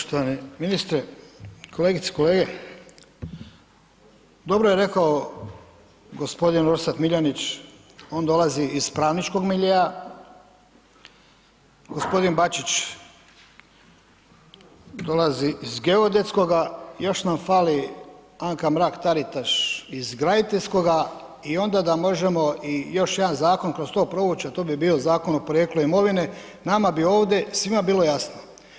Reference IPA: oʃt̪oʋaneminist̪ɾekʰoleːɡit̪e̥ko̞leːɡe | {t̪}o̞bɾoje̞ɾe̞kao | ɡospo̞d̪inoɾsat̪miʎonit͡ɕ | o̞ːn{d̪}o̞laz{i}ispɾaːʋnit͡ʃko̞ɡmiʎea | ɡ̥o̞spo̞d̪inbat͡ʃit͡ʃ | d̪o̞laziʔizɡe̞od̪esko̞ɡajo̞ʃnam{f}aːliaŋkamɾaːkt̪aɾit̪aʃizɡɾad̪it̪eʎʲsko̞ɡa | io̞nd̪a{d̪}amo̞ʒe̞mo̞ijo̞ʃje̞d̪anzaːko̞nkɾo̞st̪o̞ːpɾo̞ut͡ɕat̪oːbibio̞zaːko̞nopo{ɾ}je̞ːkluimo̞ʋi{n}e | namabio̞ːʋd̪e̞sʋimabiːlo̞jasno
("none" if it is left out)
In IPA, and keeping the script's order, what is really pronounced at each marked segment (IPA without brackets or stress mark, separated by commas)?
d̪, d̪, i, f, d̪, ɾ, n